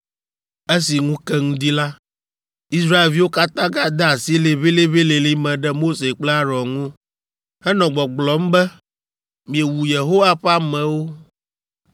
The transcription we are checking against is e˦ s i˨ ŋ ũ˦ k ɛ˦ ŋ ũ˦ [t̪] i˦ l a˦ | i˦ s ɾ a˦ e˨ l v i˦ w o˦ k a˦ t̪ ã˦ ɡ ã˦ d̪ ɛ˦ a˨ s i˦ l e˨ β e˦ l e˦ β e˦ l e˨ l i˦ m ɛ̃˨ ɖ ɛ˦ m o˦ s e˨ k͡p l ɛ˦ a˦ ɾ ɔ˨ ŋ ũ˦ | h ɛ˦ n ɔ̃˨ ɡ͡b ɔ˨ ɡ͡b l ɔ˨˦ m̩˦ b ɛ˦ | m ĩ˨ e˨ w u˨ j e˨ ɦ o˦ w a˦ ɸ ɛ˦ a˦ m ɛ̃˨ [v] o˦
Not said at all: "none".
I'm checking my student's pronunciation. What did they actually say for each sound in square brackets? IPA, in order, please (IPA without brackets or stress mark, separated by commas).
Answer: d̪, w